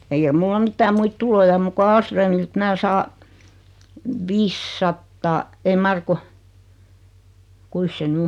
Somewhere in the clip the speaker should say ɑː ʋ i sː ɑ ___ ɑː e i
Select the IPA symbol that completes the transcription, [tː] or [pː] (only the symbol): tː